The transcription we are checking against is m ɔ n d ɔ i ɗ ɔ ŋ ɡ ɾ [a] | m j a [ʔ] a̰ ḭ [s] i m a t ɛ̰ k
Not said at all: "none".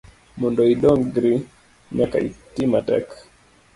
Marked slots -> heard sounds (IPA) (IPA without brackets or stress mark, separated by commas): i, k, t